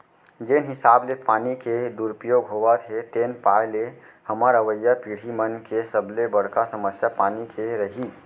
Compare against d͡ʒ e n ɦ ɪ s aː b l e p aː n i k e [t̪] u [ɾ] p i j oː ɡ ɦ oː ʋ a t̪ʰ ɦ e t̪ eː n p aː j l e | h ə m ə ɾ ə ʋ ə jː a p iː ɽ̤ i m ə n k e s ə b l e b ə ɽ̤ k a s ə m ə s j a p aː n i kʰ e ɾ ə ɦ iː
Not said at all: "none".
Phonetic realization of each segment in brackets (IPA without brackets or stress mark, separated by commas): d̪, ɾ